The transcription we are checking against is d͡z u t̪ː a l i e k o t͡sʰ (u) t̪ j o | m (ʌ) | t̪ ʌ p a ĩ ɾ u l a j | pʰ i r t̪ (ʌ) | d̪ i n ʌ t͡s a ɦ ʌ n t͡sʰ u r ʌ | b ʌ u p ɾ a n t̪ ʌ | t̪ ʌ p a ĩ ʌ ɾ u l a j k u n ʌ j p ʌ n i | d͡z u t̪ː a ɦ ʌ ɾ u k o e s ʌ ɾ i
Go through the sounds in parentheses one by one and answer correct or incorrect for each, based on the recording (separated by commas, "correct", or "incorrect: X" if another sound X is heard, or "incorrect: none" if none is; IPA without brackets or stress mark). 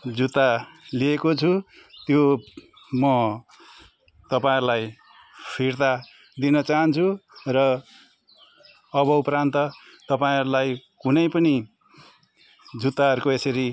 correct, correct, incorrect: a